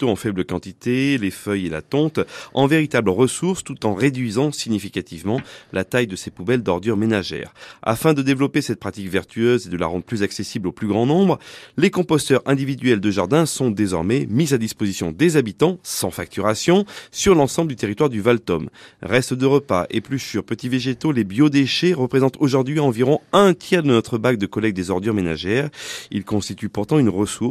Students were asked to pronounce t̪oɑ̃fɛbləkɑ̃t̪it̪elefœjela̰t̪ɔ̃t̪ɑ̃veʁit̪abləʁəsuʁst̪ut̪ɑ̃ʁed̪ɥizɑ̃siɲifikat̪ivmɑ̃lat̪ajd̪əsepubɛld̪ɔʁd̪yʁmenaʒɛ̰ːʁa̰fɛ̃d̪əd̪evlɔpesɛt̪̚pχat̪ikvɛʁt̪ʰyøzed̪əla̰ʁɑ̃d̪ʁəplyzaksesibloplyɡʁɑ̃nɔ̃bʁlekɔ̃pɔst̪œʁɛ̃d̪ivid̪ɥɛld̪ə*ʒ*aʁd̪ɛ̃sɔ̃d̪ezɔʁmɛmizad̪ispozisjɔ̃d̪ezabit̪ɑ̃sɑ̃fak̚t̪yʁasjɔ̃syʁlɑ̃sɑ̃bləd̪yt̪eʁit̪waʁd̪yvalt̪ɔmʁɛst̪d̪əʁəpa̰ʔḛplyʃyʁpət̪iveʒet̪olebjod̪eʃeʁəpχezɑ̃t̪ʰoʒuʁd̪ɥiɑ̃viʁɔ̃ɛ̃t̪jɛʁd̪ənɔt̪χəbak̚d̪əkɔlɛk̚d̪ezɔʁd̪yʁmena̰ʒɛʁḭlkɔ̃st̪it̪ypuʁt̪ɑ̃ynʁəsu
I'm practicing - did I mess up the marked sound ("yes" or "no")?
no